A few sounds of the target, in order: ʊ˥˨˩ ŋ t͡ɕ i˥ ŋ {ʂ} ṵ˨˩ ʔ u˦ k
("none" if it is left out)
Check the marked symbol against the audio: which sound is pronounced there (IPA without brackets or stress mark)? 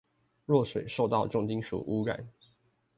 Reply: ʂ